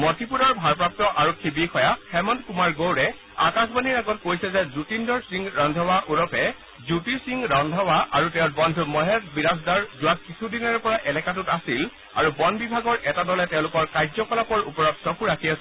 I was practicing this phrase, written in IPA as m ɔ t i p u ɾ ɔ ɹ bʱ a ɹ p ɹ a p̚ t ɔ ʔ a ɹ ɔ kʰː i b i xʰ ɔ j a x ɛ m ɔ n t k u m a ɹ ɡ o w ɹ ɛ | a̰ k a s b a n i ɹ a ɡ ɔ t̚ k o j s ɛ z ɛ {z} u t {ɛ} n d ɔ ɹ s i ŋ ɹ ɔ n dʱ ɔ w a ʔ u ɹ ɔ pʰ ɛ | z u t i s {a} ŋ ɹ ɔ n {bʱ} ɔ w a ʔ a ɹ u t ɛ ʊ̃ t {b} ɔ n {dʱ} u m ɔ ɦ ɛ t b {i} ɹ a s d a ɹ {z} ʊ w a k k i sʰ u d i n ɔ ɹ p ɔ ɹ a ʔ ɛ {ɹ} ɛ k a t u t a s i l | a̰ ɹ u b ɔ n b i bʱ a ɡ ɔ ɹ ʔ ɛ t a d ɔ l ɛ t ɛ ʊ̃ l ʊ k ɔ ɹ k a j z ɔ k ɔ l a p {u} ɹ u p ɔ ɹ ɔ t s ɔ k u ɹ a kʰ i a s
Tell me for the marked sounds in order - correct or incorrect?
correct, incorrect, incorrect, incorrect, correct, correct, correct, correct, incorrect, incorrect

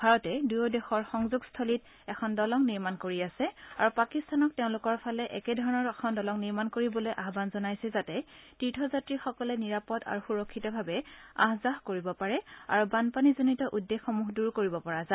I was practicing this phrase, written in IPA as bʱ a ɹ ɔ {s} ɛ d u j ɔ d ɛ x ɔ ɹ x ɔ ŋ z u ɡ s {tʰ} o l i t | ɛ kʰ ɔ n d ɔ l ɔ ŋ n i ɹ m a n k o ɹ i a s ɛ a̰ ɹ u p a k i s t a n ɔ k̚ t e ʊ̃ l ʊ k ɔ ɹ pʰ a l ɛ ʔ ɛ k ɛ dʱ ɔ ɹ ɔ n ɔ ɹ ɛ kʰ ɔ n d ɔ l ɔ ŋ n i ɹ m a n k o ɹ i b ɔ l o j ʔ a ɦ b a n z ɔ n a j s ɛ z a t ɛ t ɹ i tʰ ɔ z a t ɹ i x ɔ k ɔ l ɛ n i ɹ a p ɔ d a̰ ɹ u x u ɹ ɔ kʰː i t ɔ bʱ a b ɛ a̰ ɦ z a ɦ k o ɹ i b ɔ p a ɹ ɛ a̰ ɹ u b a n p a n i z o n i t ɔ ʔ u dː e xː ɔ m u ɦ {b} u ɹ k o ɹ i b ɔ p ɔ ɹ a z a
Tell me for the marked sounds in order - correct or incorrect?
incorrect, correct, incorrect

